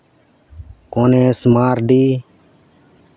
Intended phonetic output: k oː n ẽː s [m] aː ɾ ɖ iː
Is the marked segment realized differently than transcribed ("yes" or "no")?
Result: no